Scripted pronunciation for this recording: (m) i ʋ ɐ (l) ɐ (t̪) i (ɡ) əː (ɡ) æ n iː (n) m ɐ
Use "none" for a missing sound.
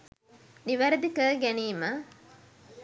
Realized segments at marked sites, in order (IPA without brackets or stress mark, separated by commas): n, ɾ, d̪, k, ɡ, none